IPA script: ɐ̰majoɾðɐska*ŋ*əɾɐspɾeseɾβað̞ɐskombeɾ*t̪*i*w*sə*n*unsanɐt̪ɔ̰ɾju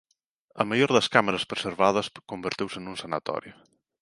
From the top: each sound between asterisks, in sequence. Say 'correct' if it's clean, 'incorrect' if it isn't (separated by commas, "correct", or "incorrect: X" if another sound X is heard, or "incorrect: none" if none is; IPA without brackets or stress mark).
incorrect: m, correct, correct, correct